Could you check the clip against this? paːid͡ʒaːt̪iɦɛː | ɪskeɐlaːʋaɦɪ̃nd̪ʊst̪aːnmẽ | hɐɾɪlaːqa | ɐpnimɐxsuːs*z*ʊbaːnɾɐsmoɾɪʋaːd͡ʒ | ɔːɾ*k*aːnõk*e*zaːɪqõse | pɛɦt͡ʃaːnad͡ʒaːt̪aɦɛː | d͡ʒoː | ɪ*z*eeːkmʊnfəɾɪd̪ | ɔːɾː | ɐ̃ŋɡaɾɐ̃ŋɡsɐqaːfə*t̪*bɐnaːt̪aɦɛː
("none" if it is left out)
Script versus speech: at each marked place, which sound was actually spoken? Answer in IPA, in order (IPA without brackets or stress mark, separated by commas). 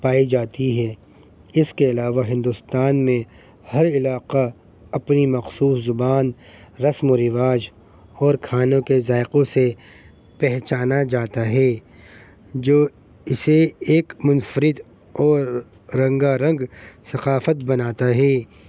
z, kʰ, e, s, t̪